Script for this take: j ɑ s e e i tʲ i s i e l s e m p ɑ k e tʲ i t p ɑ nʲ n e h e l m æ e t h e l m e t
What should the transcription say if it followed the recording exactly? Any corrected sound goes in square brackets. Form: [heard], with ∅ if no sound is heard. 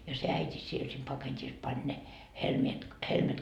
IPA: j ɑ s e [æ] i tʲ i s i e l s e m p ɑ k e tʲ i [s] p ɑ nʲ n e h e l m [i] e t h e l m e t